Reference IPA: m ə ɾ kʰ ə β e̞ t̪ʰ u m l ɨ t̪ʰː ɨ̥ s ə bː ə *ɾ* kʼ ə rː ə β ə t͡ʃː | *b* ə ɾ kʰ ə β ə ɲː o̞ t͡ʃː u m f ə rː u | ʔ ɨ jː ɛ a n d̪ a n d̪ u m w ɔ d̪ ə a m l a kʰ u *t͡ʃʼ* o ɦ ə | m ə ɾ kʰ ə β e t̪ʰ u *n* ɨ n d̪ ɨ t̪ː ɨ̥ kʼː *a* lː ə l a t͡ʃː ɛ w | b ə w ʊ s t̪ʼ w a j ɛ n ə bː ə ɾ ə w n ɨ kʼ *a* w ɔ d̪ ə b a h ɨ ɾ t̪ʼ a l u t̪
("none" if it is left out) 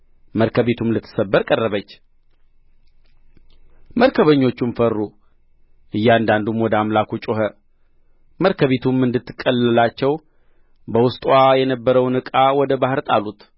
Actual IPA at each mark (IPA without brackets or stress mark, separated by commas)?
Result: ɾ, m, t͡ʃʼ, m, ə, a